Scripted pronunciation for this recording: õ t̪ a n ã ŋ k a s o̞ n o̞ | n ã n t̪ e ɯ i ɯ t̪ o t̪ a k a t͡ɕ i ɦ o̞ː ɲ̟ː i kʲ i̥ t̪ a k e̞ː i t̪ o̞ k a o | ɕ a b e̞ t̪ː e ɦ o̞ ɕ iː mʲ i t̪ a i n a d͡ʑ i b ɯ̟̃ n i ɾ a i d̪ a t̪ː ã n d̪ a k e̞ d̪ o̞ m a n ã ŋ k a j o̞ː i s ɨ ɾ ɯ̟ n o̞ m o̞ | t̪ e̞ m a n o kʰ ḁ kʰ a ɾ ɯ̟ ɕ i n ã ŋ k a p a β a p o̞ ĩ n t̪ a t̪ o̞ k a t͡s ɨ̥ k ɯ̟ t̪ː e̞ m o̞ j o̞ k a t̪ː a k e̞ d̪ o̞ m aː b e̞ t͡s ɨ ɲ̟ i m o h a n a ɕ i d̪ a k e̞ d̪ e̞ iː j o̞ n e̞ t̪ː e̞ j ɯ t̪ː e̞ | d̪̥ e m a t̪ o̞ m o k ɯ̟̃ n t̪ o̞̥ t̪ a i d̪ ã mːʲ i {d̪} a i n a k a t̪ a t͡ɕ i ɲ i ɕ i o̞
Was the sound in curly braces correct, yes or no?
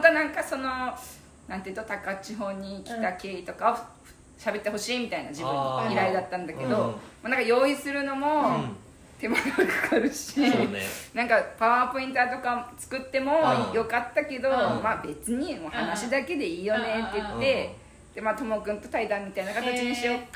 no